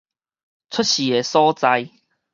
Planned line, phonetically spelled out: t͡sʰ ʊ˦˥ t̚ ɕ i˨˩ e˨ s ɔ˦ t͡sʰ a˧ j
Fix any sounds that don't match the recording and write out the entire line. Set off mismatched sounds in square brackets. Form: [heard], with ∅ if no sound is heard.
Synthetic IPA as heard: t͡sʰ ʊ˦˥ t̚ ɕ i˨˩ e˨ s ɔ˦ [t͡s] a˧ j